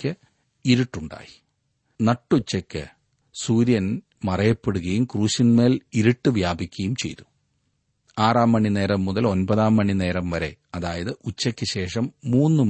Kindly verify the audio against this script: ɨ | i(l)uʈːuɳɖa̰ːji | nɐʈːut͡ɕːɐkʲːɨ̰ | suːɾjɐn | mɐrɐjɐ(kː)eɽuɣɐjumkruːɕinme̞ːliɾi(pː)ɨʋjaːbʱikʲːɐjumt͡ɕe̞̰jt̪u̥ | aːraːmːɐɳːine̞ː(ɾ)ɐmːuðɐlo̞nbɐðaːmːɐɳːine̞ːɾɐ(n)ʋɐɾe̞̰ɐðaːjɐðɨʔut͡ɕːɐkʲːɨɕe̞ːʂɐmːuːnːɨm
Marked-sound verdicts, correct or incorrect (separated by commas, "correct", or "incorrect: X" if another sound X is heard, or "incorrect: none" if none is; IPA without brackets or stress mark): incorrect: ɾ, incorrect: pː, incorrect: ʈː, correct, incorrect: m